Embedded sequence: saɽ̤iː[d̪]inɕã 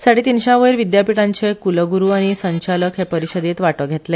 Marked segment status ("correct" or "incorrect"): incorrect